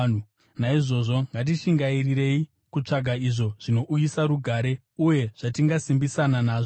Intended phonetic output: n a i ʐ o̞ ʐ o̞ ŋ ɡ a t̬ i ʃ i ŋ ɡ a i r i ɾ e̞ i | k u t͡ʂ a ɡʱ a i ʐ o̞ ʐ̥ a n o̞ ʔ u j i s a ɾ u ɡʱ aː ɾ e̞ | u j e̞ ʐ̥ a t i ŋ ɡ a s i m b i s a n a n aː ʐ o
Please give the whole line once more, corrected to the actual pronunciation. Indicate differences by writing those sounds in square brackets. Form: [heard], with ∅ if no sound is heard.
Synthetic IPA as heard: n a i ʐ o̞ ʐ o̞ ŋ ɡ a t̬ i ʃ i ŋ ɡ a i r i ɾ e̞ i | k u t͡ʂ a ɡʱ a i ʐ o̞ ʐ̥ [i] n o̞ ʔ u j i s a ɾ u ɡʱ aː ɾ e̞ | u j e̞ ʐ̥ a t i ŋ ɡ a s i m b i s a n a n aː ʐ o